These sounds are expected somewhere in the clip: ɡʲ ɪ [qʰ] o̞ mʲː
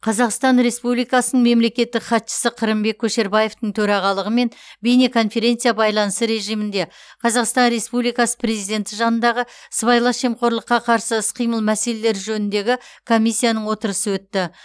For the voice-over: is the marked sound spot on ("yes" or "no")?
no